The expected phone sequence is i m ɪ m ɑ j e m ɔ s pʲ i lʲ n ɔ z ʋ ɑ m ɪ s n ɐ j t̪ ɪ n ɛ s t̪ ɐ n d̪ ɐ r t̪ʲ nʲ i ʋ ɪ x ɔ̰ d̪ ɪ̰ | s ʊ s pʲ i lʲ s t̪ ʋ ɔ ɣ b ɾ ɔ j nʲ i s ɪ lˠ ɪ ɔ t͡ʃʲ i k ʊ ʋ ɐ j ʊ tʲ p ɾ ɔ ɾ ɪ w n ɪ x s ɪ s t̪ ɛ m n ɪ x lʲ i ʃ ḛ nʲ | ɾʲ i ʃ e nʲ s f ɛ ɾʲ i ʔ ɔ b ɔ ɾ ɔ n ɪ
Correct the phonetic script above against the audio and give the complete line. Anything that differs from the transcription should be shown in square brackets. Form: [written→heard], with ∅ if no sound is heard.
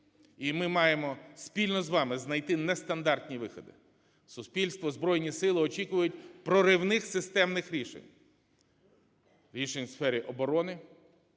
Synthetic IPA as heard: i m ɪ m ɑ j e m ɔ s pʲ i lʲ n ɔ z ʋ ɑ m ɪ [s→z] n ɐ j t̪ ɪ n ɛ s t̪ ɐ n d̪ [ɐ→ɑ] r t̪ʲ nʲ i ʋ ɪ x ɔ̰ d̪ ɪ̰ | s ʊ s pʲ i lʲ s t̪ ʋ ɔ [ɣ→z] b ɾ ɔ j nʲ i s ɪ lˠ ɪ ɔ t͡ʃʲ i k ʊ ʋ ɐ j ʊ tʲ p ɾ ɔ ɾ ɪ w n ɪ x s ɪ s t̪ ɛ m n ɪ x [lʲ→ɾʲ] i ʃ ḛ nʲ | ɾʲ i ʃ e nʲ s f ɛ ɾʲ i ʔ ɔ b ɔ ɾ ɔ n ɪ